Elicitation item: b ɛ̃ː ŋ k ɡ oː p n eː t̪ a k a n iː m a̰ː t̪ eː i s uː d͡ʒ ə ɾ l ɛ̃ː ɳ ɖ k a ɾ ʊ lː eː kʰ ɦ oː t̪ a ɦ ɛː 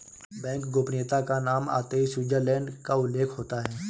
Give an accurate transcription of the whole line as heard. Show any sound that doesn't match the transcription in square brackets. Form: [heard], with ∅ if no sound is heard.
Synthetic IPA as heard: b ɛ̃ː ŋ k ɡ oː p n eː t̪ a k a n [aː] m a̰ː t̪ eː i s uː d͡ʒ ə ɾ l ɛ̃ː ɳ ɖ k a [∅] ʊ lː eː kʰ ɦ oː t̪ a ɦ ɛː